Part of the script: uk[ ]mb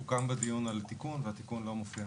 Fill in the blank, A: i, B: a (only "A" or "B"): B